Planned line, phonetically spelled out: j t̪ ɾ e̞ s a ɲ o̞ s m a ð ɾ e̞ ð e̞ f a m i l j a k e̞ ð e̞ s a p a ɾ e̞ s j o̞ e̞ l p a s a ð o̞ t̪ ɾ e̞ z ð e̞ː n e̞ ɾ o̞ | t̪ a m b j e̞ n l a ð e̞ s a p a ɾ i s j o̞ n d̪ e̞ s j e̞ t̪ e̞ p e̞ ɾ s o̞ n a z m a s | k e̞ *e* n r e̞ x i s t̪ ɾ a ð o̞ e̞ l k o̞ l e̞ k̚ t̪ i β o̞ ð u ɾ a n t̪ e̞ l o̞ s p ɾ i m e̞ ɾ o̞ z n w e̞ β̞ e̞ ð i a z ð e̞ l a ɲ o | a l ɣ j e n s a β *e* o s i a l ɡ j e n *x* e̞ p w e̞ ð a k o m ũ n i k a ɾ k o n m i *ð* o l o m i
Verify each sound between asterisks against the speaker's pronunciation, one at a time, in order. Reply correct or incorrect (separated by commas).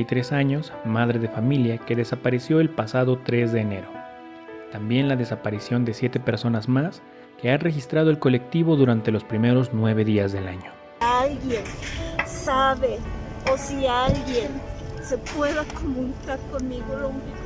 incorrect, correct, incorrect, incorrect